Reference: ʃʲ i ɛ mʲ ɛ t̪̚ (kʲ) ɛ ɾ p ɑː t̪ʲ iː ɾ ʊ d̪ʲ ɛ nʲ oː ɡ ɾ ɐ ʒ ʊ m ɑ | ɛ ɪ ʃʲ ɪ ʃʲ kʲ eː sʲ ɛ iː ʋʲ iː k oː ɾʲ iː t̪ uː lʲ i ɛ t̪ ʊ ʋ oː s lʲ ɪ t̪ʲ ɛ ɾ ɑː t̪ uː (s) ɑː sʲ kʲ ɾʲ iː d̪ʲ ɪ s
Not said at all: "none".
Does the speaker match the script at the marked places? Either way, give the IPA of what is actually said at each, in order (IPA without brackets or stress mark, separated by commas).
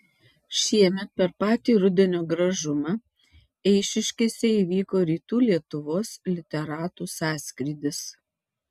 pʲ, s